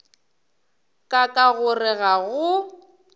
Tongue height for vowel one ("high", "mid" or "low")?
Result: low